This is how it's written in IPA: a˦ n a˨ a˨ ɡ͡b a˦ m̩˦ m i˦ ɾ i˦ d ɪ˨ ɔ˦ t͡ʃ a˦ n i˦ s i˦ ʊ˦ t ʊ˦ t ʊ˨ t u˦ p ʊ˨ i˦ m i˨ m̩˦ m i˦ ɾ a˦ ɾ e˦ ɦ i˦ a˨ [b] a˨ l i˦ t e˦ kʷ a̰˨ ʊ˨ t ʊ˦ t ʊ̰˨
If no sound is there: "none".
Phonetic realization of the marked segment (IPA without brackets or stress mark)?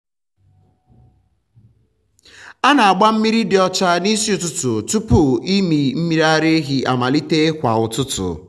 m